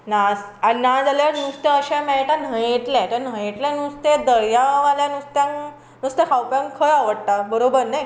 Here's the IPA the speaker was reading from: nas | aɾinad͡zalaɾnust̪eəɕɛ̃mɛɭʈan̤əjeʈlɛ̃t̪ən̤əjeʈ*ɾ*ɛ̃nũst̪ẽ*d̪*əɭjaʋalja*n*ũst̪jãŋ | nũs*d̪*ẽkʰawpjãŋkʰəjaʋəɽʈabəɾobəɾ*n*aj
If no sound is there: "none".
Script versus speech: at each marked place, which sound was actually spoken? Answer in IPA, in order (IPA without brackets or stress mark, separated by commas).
l, d̪, n, t̪, n